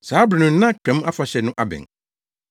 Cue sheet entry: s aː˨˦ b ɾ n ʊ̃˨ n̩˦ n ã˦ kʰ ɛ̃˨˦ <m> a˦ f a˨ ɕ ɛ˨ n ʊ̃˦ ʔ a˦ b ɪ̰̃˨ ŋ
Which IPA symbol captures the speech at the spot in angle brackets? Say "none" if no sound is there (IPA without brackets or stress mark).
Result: m